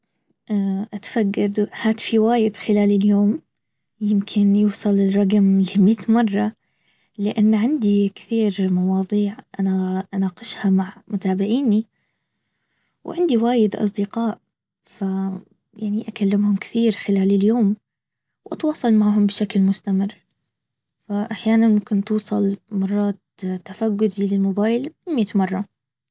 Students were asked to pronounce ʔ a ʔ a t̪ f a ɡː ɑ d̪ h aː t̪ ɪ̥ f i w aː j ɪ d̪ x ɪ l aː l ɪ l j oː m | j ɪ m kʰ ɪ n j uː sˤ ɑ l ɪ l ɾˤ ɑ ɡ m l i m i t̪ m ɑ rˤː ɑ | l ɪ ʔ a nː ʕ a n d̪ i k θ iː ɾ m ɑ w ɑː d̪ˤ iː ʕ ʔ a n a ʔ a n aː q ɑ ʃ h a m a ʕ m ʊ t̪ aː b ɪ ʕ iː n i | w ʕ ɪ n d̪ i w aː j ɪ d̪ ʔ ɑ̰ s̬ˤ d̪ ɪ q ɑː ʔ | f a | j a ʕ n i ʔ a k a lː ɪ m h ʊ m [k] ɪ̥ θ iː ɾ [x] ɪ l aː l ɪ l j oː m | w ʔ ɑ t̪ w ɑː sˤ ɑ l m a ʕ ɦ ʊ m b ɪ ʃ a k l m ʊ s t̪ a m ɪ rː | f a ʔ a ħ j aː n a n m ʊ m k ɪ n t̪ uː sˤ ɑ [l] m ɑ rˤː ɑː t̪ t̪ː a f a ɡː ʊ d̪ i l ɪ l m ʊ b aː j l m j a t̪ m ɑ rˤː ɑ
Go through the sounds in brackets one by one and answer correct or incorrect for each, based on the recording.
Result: correct, correct, correct

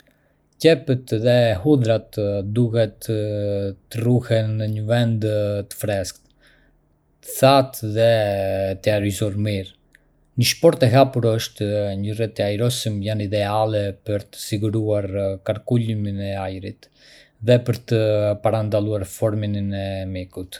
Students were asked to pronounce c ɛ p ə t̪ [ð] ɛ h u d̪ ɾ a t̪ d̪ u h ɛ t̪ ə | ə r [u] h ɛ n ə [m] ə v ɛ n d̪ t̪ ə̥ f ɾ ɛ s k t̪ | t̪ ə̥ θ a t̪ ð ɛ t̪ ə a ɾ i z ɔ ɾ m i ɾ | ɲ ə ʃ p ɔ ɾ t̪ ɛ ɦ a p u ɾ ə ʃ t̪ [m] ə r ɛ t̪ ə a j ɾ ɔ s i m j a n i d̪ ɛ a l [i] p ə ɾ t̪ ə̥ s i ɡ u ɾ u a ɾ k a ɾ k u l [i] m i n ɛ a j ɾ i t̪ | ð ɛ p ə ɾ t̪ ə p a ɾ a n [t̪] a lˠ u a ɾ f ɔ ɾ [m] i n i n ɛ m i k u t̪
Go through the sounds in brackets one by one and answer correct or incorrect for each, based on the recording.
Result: correct, correct, incorrect, incorrect, incorrect, correct, incorrect, correct

